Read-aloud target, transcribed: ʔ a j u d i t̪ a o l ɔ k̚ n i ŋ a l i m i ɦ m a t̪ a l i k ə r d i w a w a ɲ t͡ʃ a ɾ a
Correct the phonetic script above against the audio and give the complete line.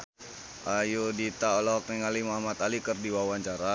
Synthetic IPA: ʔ a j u d i t̪ a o l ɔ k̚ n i ŋ a l i m a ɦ m a t̪ a l i k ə r d i w a w a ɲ t͡ʃ a ɾ a